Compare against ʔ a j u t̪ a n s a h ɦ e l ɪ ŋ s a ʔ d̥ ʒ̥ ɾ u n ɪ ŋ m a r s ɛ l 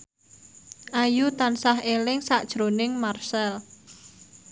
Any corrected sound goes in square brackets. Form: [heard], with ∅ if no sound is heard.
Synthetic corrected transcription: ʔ a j u t̪ a n s a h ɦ e l ɪ ŋ s a ʔ d̥ ʒ̥ ɾ [o] n ɪ ŋ m a r s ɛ l